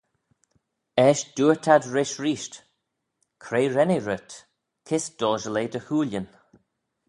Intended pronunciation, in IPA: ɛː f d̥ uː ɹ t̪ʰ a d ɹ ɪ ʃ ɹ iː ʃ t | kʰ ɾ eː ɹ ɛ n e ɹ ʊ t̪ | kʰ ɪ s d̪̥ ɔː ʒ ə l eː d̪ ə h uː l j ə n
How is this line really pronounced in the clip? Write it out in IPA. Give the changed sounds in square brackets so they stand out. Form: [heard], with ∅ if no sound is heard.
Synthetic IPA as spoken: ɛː [ʃ] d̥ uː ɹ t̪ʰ a d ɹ ɪ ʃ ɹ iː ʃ t | kʰ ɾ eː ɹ ɛ n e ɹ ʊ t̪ | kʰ ɪ s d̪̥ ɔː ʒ ə l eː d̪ ə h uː l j ə n